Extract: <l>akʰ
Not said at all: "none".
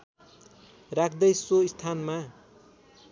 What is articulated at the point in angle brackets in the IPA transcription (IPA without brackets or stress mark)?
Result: r